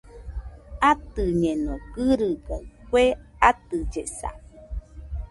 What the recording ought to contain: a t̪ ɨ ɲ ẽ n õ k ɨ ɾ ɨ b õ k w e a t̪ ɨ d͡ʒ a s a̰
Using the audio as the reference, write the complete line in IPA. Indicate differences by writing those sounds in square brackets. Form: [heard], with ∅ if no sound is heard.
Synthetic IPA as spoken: a t̪ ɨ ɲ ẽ n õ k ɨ ɾ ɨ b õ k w e a t̪ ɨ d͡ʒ [e] s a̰